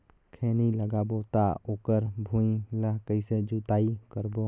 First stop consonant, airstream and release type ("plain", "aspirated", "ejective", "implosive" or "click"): aspirated